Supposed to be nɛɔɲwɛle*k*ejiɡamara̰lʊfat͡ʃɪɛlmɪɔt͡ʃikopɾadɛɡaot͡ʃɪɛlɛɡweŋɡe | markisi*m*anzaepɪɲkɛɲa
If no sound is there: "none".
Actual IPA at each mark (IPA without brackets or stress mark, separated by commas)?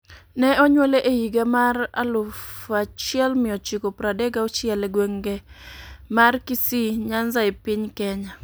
ʔ, ɲ